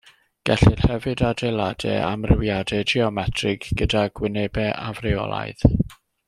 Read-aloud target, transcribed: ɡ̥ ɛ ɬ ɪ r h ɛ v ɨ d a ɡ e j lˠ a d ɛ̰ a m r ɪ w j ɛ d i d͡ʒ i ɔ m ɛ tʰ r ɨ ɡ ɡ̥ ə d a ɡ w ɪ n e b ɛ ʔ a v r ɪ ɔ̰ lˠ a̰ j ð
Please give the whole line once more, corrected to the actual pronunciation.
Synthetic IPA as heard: ɡ̥ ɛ ɬ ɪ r h ɛ v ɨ d a d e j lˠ a d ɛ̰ a m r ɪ w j a d ɛ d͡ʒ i ɔ m ɛ tʰ r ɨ ɡ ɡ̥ ə d a ɡ w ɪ n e b ɛ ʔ a v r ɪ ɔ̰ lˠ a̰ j ð